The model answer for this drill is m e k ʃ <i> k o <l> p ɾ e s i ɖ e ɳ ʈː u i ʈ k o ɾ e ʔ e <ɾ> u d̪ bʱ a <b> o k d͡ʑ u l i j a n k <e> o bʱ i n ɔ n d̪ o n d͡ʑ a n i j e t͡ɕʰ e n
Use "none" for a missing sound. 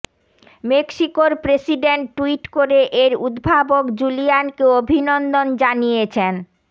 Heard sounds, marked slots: i, ɾ, ɾ, b, e

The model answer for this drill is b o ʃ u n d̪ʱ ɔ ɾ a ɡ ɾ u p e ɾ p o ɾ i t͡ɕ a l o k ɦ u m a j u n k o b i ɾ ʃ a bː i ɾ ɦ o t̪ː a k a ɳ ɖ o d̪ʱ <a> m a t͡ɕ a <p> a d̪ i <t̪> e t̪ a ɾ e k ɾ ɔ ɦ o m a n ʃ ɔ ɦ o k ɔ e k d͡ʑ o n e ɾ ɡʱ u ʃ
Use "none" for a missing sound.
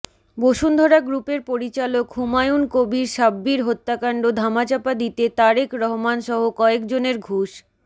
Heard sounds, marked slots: a, p, t̪

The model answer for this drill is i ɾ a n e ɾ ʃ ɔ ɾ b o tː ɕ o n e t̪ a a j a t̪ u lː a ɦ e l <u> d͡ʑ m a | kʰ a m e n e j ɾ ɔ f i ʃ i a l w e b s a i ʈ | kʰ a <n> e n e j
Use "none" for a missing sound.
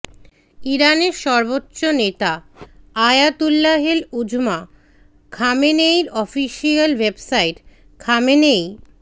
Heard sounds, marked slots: u, m

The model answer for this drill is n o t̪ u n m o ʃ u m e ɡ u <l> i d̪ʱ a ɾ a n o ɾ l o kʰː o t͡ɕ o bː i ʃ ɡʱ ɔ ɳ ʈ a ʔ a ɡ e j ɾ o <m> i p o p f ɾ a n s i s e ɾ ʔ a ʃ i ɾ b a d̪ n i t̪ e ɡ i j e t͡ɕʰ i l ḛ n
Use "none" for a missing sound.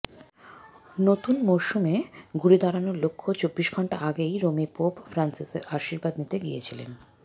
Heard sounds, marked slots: ɾ, m

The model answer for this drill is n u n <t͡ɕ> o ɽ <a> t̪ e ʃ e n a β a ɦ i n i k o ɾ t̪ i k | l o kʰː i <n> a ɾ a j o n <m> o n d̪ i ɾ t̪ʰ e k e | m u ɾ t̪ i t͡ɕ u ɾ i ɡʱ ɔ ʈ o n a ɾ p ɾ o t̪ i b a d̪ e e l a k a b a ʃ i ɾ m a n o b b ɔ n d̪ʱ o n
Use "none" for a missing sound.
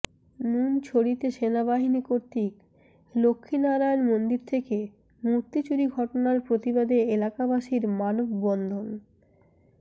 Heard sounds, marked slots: t͡ɕʰ, i, n, m

